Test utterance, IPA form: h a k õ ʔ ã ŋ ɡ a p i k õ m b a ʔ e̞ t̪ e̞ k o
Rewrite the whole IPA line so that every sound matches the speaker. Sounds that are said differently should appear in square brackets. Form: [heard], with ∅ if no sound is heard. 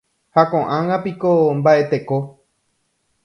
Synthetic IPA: h a k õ ʔ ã ŋ ɡ a p i k [o] m b a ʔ e̞ t̪ e̞ k o